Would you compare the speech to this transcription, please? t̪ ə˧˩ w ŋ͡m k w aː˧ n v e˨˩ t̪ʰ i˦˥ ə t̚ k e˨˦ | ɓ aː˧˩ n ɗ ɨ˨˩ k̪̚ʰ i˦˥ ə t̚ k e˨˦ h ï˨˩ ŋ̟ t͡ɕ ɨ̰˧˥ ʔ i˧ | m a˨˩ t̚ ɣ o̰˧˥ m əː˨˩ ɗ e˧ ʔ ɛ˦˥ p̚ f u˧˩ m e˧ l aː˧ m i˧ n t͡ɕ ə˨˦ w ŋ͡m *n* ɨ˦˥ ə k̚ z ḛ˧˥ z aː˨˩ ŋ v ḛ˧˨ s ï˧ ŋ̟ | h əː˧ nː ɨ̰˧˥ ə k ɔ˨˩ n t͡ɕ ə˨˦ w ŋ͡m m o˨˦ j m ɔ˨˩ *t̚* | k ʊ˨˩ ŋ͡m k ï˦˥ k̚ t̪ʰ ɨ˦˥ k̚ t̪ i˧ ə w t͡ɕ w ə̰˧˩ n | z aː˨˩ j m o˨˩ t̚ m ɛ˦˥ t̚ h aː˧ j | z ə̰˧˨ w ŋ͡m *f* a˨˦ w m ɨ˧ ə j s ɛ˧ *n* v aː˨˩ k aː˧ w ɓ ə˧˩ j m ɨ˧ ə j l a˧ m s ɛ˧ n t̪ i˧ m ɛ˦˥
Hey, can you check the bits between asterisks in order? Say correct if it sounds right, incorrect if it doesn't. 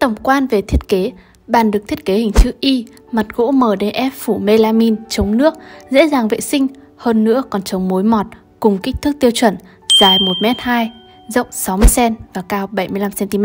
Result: correct, correct, incorrect: s, correct

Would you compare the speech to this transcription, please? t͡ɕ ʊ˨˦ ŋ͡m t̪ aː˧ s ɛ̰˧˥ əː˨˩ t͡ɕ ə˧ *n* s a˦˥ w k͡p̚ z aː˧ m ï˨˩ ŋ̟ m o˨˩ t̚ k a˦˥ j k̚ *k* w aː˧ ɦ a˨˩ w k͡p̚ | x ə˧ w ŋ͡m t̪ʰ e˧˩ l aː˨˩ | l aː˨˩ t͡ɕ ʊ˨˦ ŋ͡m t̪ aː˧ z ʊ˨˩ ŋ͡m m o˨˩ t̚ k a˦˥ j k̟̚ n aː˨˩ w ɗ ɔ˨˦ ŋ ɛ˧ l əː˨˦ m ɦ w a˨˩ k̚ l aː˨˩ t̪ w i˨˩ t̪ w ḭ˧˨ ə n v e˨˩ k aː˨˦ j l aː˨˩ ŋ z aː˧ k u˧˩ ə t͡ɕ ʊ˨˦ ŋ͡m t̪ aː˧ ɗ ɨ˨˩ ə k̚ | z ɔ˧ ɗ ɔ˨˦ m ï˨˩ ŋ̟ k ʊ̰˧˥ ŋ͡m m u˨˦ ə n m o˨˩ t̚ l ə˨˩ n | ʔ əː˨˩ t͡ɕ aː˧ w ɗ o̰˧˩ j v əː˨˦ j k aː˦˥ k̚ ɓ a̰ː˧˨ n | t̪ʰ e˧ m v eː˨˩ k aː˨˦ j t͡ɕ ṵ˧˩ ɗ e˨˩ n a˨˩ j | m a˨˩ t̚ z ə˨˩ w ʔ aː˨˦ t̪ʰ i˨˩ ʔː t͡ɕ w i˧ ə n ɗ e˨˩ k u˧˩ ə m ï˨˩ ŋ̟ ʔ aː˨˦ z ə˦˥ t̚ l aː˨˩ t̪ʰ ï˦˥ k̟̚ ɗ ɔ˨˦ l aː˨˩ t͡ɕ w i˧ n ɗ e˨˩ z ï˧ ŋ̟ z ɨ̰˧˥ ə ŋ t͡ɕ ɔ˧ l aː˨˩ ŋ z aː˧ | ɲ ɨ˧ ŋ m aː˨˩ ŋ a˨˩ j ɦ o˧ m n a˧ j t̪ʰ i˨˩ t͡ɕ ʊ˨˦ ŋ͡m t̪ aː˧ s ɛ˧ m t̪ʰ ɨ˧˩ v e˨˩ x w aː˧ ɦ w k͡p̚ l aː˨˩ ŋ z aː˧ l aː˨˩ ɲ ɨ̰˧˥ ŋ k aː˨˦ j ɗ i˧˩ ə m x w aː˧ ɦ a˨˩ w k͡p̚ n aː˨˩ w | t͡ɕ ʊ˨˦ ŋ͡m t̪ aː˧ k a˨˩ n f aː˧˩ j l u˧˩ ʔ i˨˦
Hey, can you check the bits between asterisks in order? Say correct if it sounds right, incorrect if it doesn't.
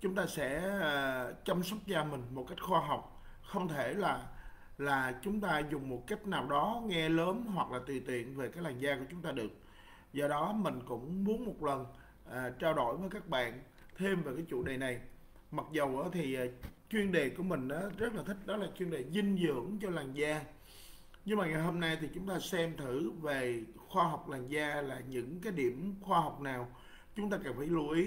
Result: incorrect: m, incorrect: x

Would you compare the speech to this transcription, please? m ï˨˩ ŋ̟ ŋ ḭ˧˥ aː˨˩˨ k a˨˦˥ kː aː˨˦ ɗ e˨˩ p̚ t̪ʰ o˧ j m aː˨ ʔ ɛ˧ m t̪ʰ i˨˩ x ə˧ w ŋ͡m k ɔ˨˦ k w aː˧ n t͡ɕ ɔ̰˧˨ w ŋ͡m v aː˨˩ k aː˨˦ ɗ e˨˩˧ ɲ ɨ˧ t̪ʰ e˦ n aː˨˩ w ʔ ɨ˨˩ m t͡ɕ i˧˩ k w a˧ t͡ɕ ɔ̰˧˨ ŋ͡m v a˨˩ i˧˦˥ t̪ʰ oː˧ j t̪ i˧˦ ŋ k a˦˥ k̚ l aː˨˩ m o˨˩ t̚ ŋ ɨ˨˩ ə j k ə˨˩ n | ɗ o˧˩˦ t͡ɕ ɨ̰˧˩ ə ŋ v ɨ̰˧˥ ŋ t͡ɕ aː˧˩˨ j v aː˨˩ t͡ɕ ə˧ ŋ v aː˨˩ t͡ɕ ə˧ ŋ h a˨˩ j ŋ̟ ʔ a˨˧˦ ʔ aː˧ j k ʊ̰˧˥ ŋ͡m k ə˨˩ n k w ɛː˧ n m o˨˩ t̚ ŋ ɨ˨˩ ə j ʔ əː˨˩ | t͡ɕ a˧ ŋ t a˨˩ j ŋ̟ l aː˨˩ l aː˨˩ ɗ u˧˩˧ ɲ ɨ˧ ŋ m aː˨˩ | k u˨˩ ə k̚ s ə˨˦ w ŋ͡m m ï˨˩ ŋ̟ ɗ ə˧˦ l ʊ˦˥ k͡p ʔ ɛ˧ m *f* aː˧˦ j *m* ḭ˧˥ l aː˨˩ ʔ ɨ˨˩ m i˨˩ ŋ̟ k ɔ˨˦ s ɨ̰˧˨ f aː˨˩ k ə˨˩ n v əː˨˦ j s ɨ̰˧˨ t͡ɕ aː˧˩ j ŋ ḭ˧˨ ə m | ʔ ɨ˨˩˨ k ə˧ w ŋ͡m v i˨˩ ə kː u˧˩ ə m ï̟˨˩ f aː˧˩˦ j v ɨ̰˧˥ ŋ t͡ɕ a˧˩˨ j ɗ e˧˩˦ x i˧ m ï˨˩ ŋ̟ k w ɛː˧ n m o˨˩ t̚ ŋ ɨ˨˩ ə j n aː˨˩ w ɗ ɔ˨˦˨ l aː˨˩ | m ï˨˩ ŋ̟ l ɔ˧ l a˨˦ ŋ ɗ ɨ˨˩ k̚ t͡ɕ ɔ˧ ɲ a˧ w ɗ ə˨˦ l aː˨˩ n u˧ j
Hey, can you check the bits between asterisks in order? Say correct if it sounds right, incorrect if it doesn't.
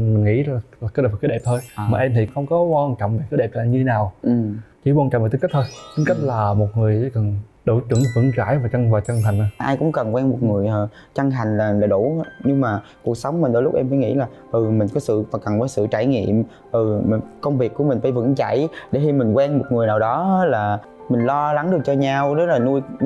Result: correct, incorrect: ŋ

